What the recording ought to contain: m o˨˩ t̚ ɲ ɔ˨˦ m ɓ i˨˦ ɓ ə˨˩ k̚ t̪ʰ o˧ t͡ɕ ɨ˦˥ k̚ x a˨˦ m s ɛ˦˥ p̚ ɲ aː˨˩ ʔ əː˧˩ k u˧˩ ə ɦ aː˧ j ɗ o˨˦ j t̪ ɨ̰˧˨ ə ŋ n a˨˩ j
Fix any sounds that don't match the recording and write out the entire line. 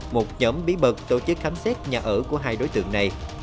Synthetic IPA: m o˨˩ t̚ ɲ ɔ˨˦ m ɓ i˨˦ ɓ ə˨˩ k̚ t̪ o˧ t͡ɕ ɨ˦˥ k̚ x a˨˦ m s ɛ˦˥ t̚ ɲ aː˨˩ ʔ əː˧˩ k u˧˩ ə ɦ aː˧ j ɗ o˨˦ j t̪ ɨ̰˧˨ ə ŋ n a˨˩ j